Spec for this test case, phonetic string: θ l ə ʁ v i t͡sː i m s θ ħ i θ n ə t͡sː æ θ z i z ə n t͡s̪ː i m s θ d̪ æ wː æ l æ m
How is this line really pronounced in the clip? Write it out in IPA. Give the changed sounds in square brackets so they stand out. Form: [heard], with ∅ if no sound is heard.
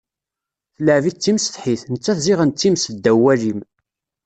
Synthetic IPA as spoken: θ l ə [ʕ] v i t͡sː i m s θ ħ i θ n ə t͡sː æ θ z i [ʁ] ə n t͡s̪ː i m s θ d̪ æ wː æ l [i] m